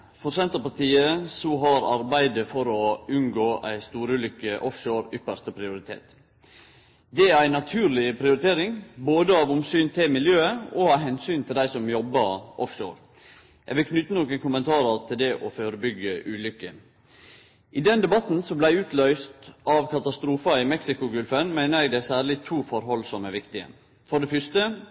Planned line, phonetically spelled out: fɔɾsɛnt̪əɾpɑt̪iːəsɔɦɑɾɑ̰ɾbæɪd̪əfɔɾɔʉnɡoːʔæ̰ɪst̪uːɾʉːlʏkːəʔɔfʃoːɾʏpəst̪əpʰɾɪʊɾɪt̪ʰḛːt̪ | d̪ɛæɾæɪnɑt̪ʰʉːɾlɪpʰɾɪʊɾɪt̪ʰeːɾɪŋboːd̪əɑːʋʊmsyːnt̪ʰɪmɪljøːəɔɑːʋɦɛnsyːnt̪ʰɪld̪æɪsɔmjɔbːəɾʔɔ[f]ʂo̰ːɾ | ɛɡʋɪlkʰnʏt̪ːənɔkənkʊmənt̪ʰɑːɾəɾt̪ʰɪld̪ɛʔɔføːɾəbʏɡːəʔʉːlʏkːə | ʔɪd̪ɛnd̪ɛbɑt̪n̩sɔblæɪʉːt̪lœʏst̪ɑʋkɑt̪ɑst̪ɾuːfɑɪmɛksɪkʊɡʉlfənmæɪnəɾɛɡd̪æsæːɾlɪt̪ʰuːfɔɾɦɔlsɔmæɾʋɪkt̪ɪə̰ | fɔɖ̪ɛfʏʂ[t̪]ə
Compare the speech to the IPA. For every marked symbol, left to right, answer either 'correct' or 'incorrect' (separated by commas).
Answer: correct, correct